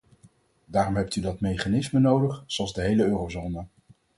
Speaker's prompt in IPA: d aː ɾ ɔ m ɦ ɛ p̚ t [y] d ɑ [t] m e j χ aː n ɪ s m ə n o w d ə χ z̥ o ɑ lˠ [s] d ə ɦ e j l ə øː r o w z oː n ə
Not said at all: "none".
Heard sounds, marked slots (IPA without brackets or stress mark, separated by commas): y, t, z